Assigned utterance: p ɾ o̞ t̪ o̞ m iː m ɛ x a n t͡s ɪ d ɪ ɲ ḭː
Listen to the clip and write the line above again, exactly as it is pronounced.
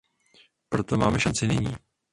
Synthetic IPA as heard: p ɾ o̞ t̪ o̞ m aː m ɛ ʃ a n t͡s ɪ n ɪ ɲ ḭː